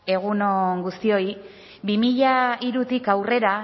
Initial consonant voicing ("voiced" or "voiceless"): voiced